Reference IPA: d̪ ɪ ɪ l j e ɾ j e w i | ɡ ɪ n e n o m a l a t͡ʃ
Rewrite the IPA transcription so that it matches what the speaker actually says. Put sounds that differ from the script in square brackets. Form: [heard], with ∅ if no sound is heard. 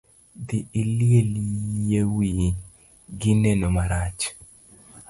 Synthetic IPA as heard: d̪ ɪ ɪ l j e [l] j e w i | ɡ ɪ n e n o m a [ɾ] a t͡ʃ

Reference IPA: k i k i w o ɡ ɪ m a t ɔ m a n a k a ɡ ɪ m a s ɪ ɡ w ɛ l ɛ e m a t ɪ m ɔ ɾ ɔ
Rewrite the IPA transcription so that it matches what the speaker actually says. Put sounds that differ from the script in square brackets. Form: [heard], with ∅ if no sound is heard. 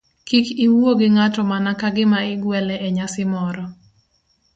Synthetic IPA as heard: k i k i w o ɡ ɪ [ŋ] a t ɔ m a n a k a ɡ ɪ m a [∅] ɪ ɡ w ɛ l ɛ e [ɲ] a [s] ɪ m ɔ ɾ ɔ

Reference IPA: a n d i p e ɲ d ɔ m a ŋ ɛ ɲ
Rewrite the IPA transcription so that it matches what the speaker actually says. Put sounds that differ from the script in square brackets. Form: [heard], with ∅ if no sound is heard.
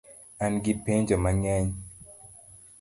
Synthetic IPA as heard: a n [ɡ] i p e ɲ [d͡ʒ] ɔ m a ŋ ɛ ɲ

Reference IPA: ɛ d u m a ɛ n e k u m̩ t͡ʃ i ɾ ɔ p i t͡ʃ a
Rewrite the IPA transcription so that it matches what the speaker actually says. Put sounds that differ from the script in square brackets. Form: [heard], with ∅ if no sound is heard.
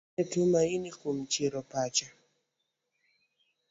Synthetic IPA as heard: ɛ [t] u m a [i] n [i] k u m̩ t͡ʃ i ɾ ɔ p [a] t͡ʃ a

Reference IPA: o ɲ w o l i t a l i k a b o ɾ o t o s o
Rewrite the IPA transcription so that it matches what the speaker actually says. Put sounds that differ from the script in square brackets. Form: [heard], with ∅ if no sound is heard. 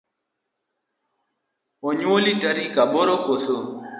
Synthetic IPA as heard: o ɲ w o l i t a [ɾ] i k a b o ɾ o [k] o s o

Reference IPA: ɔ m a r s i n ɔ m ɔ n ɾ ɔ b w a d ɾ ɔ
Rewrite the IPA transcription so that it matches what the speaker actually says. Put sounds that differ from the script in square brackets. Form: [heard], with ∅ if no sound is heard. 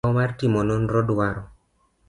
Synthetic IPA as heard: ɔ m a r [t] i [m] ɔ [n] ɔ n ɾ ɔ [d] w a [∅] ɾ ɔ

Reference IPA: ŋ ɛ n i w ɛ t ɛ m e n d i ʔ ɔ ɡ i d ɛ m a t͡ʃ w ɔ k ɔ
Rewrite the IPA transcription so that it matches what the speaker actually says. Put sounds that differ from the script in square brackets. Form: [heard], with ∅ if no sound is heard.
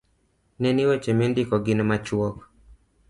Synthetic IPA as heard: [n] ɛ n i w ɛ [t͡ʃ] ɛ m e n d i [k] ɔ ɡ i [n] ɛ m a t͡ʃ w ɔ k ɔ

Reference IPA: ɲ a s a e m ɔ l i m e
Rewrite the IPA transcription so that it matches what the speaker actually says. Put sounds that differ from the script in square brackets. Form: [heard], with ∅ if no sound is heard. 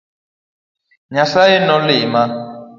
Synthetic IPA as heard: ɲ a s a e [n] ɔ l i m [a]

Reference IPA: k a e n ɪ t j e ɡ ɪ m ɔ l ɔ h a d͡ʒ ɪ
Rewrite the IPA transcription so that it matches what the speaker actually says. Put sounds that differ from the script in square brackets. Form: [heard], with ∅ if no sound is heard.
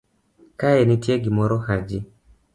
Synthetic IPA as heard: k a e n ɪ t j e ɡ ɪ m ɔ [ɾ] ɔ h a d͡ʒ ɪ

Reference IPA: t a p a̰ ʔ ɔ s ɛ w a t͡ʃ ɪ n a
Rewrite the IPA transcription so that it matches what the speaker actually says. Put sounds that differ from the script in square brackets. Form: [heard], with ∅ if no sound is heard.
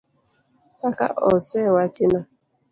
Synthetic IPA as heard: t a [k] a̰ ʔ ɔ s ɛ w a t͡ʃ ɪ n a

